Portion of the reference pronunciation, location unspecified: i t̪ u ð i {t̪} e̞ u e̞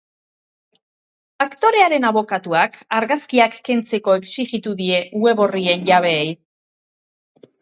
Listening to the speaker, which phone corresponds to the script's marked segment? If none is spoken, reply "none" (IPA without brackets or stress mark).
none